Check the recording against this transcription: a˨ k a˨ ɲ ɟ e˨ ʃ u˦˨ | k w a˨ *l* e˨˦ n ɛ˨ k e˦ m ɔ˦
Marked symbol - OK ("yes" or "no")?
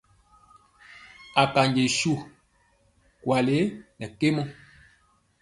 yes